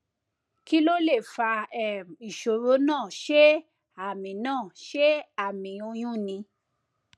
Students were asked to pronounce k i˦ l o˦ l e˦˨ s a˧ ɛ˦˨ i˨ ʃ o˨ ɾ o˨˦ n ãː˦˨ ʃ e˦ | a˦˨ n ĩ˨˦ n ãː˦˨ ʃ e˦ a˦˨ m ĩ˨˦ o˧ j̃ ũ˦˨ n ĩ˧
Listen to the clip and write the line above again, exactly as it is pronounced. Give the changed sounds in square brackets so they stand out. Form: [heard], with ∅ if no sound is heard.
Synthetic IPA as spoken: k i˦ l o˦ l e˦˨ [f] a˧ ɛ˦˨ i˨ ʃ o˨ ɾ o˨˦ n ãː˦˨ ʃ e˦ | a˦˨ [m] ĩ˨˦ n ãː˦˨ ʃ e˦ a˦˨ m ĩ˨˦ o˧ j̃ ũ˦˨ n ĩ˧